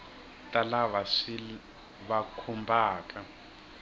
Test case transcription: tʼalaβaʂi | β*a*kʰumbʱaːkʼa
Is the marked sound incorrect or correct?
correct